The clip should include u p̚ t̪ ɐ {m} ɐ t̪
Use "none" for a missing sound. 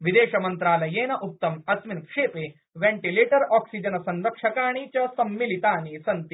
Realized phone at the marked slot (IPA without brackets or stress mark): m